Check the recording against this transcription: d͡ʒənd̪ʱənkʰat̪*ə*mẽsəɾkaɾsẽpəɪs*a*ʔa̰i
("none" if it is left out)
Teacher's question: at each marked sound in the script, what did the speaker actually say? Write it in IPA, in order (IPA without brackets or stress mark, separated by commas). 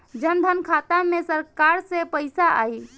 a, a